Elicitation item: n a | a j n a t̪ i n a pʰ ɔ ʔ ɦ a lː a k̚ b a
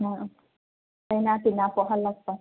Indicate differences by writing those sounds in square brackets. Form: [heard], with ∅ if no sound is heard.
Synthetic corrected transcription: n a | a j n a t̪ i n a [p] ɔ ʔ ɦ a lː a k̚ [p] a